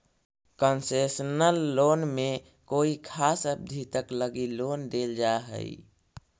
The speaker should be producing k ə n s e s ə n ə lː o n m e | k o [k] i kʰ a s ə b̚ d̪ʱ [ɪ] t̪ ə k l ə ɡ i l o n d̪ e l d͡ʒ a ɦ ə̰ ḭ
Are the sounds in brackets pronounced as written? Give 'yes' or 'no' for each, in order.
no, no

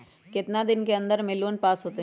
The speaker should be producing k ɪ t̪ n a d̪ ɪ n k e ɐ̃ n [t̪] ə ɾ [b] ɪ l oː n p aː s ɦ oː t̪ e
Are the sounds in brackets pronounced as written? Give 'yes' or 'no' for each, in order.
no, no

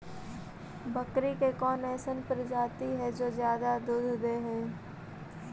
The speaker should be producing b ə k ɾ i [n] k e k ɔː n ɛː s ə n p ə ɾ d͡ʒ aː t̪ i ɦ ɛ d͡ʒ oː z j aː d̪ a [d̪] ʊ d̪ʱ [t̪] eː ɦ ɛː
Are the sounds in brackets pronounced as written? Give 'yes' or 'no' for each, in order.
no, yes, no

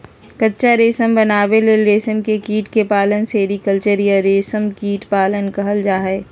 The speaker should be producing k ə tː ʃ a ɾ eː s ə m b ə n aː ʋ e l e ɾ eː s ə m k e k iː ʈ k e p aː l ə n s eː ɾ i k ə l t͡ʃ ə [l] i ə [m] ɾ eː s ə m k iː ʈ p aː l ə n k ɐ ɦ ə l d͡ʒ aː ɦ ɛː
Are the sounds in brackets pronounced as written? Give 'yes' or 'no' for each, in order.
no, no

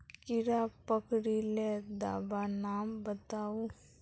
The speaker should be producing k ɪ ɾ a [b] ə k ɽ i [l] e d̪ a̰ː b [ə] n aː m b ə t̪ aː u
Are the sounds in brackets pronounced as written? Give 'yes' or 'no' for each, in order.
no, yes, no

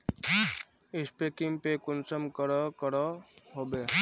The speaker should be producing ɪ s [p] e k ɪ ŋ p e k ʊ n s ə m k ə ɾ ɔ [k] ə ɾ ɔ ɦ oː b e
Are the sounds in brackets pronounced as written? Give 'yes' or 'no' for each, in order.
yes, yes

